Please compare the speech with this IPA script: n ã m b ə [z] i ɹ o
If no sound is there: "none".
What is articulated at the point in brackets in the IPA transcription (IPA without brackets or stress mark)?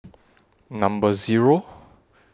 z